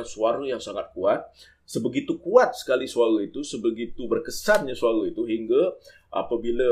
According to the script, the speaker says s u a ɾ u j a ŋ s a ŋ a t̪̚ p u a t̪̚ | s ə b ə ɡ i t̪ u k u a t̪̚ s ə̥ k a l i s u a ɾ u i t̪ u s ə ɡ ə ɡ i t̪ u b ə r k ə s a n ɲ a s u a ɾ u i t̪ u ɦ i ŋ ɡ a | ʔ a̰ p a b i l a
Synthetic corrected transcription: s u a ɾ u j a ŋ s a ŋ a t̪̚ k u a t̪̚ | s ə b ə ɡ i t̪ u k u a t̪̚ s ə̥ k a l i s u a ɾ u i t̪ u s ə b ə ɡ i t̪ u b ə r k ə s a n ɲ a s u a ɾ u i t̪ u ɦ i ŋ ɡ a | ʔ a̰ p a b i l a